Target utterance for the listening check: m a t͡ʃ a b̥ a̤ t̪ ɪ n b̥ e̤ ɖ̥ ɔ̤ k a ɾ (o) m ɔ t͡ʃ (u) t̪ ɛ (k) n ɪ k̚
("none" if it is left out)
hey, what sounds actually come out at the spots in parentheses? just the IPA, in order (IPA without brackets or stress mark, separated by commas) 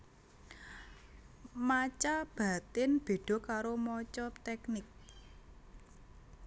o, ɔ, k